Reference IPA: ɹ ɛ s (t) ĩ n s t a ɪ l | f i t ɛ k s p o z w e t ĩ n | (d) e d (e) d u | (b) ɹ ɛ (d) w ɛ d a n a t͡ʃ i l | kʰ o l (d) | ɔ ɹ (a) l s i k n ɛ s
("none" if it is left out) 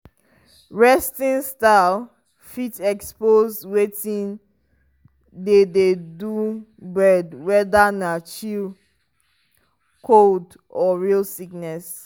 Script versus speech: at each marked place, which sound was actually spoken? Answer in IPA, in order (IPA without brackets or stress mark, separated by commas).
t, d, e, b, d, d, i